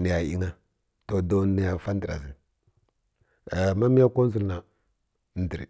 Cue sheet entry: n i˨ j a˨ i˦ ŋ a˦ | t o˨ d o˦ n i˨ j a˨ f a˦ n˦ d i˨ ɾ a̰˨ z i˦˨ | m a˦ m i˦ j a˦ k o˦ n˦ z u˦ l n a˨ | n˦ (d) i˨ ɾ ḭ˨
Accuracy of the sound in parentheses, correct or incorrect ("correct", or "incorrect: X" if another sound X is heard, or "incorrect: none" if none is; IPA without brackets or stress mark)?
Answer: correct